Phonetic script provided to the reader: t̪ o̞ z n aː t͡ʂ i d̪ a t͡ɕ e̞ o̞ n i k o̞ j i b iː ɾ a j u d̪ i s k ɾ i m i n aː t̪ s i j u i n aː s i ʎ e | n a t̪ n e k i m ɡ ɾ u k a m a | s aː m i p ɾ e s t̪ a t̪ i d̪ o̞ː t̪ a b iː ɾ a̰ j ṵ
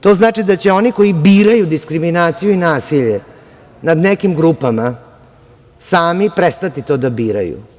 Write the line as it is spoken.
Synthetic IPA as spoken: t̪ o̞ z n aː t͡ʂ i d̪ a t͡ɕ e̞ o̞ n i k o̞ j i b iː ɾ a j u d̪ i s k ɾ i m i n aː t̪ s i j u i n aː s i ʎ e | n a d̪ n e k i m ɡ ɾ u p a m a | s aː m i p ɾ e s t̪ a t̪ i t̪ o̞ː d̪ a b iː ɾ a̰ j ṵ